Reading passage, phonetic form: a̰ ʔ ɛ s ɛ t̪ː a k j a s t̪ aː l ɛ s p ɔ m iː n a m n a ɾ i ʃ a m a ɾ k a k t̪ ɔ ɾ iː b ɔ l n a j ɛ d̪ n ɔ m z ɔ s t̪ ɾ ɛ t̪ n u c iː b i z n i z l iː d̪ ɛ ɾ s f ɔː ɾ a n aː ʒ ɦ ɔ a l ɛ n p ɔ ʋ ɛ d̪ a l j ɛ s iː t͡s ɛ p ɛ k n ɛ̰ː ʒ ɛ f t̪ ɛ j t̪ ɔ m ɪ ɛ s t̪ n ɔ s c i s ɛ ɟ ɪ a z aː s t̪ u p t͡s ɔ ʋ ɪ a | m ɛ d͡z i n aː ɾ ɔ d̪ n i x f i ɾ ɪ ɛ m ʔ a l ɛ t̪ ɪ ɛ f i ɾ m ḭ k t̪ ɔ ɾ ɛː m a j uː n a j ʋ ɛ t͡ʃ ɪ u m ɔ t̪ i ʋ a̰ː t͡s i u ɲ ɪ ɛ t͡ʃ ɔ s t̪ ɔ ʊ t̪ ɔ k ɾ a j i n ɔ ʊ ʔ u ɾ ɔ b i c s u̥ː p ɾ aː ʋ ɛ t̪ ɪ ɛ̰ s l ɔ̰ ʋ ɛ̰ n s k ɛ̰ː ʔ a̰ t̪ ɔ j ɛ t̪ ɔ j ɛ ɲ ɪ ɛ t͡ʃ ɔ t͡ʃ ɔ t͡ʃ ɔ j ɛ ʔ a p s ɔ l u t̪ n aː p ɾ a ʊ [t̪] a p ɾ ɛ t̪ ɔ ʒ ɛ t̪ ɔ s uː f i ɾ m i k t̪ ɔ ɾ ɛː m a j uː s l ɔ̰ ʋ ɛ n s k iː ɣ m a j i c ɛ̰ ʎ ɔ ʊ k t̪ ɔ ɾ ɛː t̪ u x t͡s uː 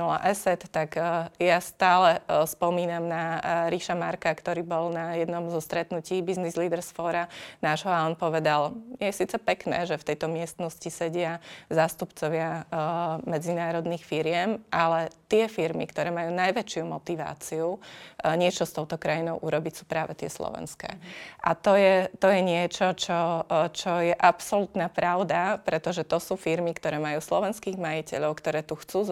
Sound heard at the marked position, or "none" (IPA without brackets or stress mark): d̪